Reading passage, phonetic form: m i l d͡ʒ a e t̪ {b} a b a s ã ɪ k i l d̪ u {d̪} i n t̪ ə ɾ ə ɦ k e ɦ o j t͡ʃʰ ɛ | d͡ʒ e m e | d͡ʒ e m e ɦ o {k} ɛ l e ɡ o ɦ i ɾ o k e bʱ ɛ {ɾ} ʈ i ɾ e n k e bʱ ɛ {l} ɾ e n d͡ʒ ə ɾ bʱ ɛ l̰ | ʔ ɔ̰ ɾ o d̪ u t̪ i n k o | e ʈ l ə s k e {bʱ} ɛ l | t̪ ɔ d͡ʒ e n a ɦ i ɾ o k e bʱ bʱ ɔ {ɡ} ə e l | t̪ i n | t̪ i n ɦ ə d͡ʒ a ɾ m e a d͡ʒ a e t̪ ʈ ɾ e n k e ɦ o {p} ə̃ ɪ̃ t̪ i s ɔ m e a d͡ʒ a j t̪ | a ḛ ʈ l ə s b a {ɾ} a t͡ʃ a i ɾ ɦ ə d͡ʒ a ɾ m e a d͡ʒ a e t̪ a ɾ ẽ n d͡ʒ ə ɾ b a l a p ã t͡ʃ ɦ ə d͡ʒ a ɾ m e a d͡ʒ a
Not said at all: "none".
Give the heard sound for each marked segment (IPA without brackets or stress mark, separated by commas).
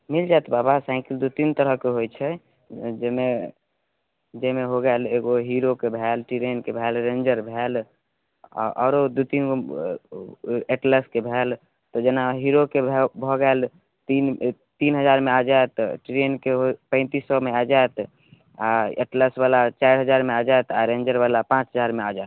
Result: b, t̪, ɡ, l, l, bʱ, ɡ, p, l